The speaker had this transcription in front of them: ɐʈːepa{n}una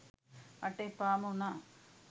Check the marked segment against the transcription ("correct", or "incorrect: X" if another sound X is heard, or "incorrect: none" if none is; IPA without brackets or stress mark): incorrect: m